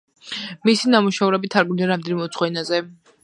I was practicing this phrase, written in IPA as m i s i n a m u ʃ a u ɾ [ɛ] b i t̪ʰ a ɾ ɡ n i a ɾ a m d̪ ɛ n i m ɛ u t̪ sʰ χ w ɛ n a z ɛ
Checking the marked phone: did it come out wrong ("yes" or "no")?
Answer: no